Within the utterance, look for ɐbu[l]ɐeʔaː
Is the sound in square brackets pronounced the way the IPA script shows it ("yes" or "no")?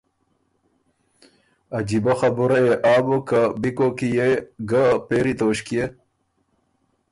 no